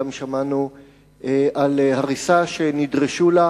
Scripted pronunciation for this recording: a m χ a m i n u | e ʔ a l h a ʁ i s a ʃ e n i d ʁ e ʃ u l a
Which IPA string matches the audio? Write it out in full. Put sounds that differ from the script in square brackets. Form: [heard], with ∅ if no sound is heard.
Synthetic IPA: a m [ʃ] a m [a] n u | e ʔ a l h a ʁ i s a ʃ e n i d ʁ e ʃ u l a